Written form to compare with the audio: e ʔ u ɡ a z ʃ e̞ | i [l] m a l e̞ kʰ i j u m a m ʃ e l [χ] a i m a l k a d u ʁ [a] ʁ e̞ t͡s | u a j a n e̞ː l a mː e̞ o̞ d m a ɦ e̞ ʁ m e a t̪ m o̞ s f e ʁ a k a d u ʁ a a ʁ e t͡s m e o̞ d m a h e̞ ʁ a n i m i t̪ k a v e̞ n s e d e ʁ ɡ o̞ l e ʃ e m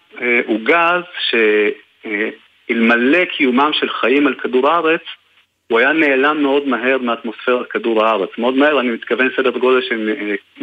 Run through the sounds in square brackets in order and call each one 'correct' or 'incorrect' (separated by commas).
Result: correct, correct, correct